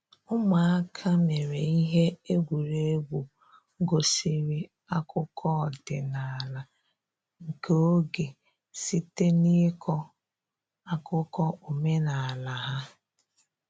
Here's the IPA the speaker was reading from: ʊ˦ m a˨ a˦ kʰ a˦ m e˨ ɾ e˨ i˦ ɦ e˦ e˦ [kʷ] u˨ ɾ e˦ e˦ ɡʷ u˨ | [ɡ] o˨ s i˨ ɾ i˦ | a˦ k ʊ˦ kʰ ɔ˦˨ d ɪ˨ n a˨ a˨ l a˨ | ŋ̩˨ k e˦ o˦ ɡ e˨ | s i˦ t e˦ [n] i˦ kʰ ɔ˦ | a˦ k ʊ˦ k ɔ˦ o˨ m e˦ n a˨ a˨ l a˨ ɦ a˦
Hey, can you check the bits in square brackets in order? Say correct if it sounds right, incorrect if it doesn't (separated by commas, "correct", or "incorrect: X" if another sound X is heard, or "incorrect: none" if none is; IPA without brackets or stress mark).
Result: incorrect: ɡʷ, correct, correct